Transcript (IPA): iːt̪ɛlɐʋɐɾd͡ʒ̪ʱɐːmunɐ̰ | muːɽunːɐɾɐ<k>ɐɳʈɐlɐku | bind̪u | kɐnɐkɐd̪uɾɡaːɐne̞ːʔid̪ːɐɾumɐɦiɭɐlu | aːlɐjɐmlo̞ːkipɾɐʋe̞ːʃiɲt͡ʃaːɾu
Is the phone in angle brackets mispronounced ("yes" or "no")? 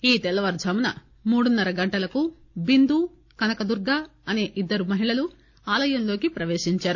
yes